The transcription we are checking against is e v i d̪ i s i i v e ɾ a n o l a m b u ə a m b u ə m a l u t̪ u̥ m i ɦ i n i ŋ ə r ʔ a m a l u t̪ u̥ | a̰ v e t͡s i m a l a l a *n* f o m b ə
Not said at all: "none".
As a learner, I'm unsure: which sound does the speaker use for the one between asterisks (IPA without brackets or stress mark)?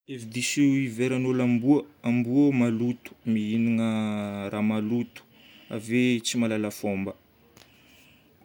none